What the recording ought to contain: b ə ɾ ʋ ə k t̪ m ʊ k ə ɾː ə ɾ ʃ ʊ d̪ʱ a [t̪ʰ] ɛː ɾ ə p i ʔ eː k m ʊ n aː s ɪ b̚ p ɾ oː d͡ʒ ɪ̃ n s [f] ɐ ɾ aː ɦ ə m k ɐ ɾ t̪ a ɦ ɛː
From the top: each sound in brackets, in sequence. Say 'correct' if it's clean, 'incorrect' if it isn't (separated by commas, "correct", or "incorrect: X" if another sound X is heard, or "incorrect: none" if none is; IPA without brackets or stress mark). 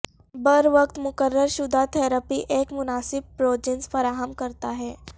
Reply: correct, correct